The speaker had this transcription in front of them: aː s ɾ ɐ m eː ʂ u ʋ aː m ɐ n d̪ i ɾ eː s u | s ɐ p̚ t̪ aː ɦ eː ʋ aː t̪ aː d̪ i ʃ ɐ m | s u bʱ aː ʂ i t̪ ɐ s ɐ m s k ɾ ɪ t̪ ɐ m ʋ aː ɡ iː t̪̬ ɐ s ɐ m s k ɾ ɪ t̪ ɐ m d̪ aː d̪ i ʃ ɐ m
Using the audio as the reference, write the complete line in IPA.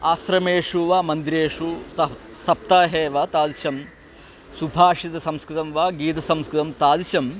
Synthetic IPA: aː s ɾ ɐ m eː ʂ u ʋ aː m ɐ n d̪ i ɾ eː ʂ u | s ɐ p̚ t̪ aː ɦ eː ʋ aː t̪ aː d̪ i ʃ ɐ m | s u bʱ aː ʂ i t̪ ɐ s ɐ m s k ɾ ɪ t̪ ɐ m ʋ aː ɡ iː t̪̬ ɐ s ɐ m s k ɾ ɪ t̪ ɐ m t̪ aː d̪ i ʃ ɐ m